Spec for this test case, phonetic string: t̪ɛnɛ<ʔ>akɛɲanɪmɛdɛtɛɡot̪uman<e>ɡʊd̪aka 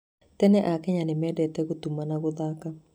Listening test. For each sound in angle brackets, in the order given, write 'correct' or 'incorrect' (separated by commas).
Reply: correct, incorrect